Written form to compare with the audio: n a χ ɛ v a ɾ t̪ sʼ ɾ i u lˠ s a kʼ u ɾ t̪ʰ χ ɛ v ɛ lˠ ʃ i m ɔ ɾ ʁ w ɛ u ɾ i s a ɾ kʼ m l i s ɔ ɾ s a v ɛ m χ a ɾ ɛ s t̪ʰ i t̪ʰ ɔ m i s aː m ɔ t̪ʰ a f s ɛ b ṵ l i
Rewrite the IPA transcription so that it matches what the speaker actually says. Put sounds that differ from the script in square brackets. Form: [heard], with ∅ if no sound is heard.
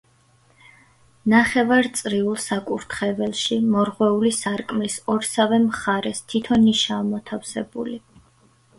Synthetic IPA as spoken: n a χ ɛ v a ɾ t̪ sʼ ɾ i u lˠ s a kʼ u ɾ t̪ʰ χ ɛ v ɛ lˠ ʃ i m ɔ ɾ ʁ w ɛ u [l] i s a ɾ kʼ m l i s ɔ ɾ s a v ɛ m χ a ɾ ɛ s t̪ʰ i t̪ʰ ɔ [n] i [ʃ] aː m ɔ t̪ʰ a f s ɛ b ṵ l i